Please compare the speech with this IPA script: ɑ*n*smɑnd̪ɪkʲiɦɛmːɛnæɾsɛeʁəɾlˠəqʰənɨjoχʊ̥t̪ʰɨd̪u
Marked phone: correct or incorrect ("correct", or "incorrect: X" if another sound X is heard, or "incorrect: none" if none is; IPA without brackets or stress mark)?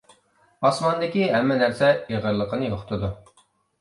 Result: incorrect: none